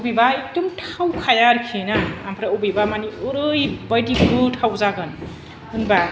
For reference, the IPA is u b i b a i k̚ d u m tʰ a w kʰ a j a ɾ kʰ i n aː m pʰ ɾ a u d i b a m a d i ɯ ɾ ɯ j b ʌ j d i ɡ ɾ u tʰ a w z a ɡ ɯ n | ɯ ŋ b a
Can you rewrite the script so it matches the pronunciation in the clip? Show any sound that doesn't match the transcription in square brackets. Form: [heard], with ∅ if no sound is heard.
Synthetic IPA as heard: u b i b a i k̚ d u m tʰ a w kʰ a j a ɾ kʰ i n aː m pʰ ɾ a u [b] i b a m a [n] i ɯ ɾ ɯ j b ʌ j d i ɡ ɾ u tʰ a w z a ɡ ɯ n | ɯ [n] b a